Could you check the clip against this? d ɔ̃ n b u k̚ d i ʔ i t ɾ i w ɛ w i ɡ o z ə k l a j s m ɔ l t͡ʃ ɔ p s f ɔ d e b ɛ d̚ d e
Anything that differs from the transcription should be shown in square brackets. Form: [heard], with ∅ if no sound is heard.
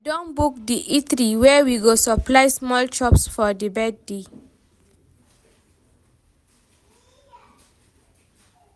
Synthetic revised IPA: d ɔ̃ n b u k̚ d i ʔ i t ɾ i w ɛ w i ɡ o [s] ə [p] l a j s m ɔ l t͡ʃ ɔ p s f ɔ d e b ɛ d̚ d e

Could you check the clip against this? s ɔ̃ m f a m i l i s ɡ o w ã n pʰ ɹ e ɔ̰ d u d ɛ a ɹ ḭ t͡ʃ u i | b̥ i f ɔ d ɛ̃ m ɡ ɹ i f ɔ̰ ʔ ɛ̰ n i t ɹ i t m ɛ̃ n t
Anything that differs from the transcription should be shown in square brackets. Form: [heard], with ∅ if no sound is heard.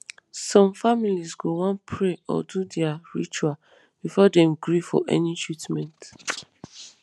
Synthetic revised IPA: s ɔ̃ m f a m i l i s ɡ o w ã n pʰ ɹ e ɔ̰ d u d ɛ a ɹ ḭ t͡ʃ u [a] | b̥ i f ɔ d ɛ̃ m ɡ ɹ i f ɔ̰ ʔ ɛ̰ n i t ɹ i t m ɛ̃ n t

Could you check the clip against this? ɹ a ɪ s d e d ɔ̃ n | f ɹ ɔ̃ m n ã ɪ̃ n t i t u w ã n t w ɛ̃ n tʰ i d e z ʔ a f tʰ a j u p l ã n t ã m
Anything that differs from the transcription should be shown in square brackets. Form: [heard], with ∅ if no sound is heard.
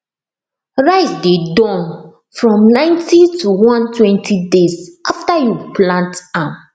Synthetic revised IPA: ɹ a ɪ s d e d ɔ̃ n | f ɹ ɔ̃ m n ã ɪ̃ n t i t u w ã n t w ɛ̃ n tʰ i d e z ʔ a f [t] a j u p l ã n t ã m

